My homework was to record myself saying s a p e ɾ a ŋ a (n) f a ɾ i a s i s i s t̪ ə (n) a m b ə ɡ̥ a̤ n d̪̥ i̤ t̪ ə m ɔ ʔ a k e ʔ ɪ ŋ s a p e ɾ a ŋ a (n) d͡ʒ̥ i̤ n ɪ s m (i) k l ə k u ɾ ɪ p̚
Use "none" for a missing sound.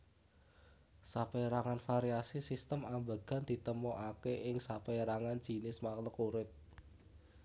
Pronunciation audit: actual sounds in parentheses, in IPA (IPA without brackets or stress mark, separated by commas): n, m, n, a